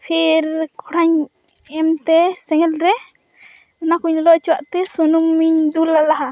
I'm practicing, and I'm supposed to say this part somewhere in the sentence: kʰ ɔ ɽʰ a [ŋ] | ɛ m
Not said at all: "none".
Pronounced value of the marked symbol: ɲ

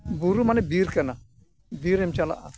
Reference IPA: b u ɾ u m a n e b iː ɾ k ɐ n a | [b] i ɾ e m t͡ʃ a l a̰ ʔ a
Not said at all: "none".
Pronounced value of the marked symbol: b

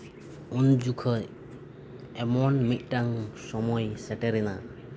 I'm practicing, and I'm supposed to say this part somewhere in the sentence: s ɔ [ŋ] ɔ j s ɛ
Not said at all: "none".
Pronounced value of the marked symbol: m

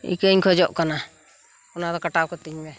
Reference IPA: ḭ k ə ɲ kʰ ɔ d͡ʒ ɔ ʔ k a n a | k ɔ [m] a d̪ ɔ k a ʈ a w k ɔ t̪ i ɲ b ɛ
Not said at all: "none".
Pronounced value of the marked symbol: n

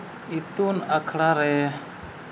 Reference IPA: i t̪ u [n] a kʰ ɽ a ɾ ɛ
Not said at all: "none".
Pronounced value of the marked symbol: n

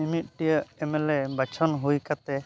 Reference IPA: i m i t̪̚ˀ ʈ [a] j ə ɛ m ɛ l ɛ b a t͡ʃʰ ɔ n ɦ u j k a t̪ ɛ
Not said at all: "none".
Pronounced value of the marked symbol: i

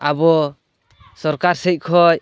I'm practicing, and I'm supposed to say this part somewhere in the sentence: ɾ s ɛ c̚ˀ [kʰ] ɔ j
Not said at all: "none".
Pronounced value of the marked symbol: kʰ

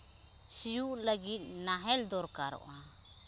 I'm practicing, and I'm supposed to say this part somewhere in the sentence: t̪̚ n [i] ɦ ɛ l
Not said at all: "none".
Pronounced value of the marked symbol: a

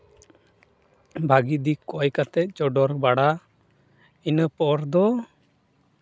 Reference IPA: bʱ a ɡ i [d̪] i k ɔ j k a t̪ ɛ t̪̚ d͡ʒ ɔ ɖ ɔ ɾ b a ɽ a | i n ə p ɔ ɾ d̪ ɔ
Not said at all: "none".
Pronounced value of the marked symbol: d̪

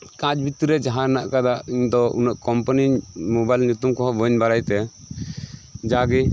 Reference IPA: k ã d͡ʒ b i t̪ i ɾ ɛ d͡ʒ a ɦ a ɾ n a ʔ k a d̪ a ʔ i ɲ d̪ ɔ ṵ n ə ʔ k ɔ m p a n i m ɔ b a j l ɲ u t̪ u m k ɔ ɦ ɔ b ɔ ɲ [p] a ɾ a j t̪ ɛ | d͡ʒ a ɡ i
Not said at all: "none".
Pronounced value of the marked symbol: b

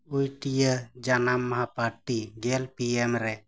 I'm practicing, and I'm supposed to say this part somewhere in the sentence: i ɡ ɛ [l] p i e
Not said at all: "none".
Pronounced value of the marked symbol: l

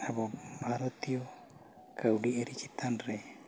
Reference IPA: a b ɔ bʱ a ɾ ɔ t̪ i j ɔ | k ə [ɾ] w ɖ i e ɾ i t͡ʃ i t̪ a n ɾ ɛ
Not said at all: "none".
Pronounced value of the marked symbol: none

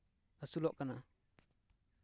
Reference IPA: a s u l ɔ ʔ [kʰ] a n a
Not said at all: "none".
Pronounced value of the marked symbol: k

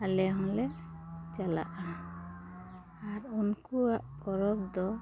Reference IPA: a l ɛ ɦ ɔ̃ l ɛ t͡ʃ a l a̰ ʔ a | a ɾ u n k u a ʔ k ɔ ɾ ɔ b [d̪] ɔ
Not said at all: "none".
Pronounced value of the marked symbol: d̪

